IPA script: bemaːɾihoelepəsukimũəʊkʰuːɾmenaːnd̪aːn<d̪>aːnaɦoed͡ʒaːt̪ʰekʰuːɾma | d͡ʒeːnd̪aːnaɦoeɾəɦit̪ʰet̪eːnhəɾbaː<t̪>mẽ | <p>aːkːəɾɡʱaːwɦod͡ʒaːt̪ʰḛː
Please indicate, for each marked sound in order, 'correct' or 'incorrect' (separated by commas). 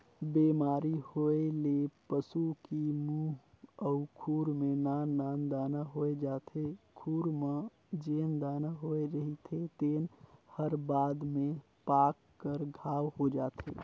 correct, incorrect, correct